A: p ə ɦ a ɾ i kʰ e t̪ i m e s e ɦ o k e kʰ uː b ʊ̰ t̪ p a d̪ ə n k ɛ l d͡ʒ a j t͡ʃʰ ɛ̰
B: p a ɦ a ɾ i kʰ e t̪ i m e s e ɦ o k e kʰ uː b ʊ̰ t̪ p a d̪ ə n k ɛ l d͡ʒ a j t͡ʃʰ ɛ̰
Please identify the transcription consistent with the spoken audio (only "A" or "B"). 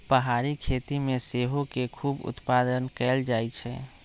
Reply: A